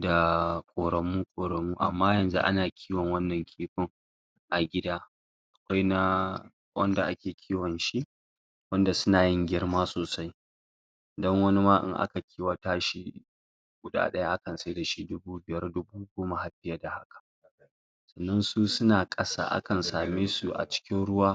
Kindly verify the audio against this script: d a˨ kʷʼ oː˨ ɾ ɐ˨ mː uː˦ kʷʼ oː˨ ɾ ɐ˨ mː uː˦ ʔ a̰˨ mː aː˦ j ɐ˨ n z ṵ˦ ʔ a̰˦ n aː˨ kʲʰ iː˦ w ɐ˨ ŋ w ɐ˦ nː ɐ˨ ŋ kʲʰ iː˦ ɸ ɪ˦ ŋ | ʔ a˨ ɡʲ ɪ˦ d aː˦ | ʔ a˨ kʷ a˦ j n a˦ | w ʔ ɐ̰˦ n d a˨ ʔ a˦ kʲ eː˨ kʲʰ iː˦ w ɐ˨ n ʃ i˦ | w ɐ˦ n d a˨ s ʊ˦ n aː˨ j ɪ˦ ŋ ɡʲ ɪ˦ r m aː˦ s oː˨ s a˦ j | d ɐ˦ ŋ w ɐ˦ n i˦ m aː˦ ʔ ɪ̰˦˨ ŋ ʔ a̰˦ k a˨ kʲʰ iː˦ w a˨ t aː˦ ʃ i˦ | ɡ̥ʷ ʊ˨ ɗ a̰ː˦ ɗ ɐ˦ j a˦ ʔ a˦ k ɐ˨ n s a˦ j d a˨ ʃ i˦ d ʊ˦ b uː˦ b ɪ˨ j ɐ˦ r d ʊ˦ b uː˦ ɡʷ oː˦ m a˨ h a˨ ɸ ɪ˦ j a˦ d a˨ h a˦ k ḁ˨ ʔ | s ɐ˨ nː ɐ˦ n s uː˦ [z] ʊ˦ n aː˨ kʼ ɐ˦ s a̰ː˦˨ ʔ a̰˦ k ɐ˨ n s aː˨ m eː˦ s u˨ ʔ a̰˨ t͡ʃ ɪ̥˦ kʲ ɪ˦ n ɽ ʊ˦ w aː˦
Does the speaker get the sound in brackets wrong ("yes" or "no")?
yes